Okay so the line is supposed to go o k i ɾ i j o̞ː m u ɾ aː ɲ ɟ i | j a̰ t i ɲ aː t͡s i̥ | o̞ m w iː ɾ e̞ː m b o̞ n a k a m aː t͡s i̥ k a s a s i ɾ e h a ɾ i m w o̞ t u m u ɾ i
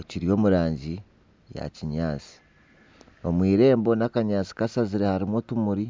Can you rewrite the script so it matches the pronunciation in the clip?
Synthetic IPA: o c i ɾ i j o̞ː m u ɾ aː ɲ ɟ i | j a̰ c i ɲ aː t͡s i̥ | o̞ m w iː ɾ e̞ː m b o̞ n a k a ɲ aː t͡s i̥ k a s a z i ɾ e h a ɾ i m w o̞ t u m u ɾ i